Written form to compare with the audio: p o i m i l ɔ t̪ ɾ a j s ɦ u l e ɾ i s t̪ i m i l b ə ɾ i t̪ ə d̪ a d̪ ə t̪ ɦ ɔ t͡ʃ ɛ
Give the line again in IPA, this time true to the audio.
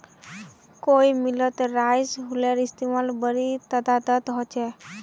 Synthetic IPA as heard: k o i m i l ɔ t̪ ɾ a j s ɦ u l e ɾ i s t̪ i m a l b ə ɾ i t̪ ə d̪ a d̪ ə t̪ ɦ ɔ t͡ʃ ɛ